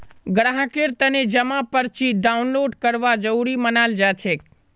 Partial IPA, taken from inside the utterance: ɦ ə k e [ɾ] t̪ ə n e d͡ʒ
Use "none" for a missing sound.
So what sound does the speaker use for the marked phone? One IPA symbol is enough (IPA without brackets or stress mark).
ɾ